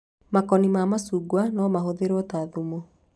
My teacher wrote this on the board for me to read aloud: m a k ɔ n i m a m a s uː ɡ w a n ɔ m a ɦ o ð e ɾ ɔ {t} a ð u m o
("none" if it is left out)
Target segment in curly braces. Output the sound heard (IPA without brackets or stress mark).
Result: t